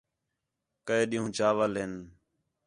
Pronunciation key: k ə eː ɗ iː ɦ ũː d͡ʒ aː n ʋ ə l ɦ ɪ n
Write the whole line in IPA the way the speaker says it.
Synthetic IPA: k ə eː ɗ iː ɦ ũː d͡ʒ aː ʋ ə l ɦ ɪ n